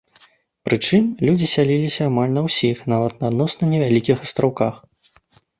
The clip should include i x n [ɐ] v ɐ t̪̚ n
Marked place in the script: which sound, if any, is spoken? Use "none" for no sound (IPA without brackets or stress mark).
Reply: a